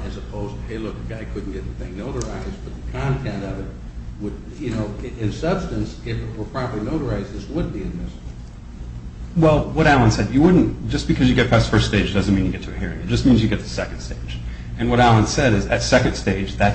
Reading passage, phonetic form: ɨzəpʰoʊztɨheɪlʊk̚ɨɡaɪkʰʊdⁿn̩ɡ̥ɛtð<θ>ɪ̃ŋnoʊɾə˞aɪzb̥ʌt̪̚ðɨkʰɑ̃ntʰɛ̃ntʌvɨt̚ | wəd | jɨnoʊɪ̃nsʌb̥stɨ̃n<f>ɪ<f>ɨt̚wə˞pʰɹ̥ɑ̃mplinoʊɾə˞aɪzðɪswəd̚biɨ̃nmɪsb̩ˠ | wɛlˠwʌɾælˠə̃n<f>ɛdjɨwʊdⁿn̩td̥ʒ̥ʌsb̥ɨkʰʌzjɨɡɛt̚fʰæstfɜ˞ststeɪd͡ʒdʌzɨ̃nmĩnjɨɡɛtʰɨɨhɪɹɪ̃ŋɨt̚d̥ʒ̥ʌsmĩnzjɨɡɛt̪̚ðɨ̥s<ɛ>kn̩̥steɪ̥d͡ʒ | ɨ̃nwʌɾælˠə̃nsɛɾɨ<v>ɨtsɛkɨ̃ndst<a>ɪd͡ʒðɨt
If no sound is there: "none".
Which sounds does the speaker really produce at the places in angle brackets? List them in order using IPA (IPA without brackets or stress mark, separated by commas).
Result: θ, s, f, s, ɛ, z, e